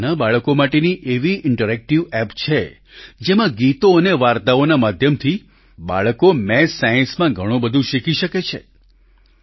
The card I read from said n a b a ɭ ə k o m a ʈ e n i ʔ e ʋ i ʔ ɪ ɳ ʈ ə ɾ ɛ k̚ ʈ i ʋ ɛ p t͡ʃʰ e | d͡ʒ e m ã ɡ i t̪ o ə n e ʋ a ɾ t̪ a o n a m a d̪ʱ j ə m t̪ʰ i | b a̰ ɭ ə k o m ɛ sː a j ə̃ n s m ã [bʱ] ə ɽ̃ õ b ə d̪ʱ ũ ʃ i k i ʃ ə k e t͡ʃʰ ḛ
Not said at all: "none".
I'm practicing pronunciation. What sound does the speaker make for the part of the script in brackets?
ɡʱ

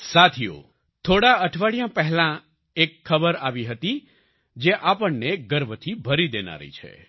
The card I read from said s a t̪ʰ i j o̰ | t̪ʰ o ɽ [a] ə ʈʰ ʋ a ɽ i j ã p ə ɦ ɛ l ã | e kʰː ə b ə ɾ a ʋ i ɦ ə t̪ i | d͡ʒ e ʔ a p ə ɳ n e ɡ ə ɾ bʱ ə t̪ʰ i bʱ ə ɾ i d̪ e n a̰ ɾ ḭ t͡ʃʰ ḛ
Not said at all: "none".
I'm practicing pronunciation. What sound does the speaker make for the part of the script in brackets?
a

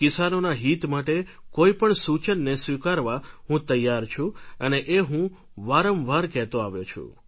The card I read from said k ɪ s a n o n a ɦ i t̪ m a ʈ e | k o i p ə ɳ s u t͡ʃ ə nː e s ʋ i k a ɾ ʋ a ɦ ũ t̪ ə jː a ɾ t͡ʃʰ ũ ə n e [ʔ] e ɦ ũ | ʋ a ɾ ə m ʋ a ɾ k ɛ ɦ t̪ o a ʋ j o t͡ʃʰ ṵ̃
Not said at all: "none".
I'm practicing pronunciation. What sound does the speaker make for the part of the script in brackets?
ʔ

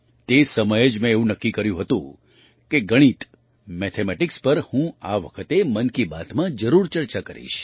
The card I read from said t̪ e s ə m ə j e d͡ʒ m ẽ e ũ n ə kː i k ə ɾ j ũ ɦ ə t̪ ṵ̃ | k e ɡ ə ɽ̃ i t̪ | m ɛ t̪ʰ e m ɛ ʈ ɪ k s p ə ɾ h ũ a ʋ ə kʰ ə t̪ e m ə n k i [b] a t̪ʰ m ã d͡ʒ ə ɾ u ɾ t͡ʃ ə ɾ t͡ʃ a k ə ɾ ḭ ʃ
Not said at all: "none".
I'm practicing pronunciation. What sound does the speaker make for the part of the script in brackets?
b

